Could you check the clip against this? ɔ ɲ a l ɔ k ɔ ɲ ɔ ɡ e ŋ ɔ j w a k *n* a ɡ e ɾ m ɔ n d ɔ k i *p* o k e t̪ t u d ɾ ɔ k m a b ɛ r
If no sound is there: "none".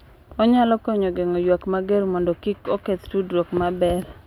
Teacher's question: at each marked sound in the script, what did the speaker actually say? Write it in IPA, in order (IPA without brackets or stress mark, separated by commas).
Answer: m, k